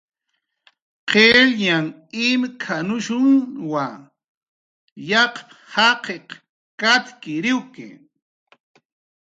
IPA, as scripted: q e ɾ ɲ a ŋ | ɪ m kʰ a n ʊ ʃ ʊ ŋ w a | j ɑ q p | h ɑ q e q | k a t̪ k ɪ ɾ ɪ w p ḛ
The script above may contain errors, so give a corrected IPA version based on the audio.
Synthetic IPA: q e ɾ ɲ a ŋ | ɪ m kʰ a n ʊ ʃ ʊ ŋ w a | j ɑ q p | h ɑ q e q | k a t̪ k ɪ ɾ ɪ w k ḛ